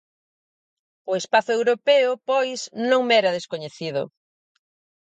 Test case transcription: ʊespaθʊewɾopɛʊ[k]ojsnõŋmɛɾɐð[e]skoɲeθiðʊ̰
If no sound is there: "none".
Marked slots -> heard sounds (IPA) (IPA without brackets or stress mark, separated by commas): p, e